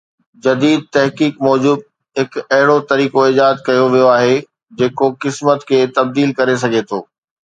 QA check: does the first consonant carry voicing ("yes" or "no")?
yes